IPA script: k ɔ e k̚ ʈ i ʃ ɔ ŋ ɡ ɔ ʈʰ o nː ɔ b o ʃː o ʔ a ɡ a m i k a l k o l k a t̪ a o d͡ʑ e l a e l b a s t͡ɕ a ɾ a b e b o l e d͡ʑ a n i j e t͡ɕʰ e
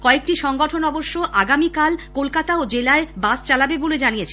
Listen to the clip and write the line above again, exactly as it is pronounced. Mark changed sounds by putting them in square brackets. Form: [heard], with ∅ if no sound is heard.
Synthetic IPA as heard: k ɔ e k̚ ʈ i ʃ ɔ ŋ ɡ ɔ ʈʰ o [n] ɔ b o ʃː o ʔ a ɡ a m i k a l k o l k a t̪ a o d͡ʑ e l a e [∅] b a s t͡ɕ a [l] a b e b o l e d͡ʑ a n i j e t͡ɕʰ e